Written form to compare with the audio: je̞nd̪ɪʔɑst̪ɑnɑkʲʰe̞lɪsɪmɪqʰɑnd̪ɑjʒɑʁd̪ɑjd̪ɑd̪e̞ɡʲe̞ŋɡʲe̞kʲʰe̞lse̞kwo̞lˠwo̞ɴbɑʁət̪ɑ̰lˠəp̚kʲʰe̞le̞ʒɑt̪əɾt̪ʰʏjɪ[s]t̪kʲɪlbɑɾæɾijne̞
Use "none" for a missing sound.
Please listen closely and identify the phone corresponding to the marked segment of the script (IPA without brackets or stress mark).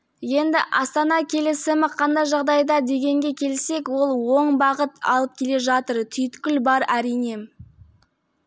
none